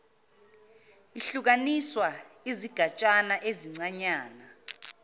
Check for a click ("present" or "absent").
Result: present